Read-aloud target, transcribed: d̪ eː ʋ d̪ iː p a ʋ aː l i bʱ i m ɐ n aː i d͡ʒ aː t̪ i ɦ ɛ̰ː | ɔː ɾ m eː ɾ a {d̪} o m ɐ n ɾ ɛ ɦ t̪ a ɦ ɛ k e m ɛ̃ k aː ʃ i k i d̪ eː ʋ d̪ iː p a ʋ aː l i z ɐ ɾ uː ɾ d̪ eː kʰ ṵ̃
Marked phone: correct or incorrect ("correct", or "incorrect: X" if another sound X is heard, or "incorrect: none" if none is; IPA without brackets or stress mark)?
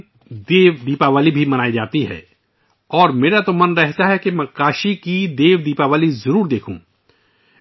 incorrect: t̪